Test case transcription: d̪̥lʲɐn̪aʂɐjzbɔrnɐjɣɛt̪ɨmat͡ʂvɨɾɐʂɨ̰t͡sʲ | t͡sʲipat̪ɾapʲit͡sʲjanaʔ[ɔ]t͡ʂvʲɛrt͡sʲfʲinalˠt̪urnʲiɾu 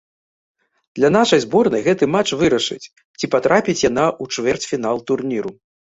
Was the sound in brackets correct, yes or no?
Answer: no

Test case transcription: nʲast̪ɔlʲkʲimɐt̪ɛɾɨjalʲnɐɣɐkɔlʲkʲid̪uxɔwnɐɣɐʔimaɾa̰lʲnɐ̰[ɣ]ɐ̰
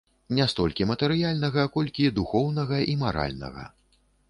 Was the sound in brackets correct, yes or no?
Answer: yes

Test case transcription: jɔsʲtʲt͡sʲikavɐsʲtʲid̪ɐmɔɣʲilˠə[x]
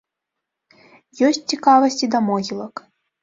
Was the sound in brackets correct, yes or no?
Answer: no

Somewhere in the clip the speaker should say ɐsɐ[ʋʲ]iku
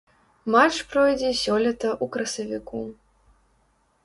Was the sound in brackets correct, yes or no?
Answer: no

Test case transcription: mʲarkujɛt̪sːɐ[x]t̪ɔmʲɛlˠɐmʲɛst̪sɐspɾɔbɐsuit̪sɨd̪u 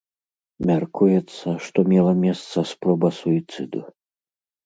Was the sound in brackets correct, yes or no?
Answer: no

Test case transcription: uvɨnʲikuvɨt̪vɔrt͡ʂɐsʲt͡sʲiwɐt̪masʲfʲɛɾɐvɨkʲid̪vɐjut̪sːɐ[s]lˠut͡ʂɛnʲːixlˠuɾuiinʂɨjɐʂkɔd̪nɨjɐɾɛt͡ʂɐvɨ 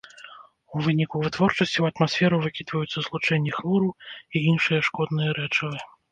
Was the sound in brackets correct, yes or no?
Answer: no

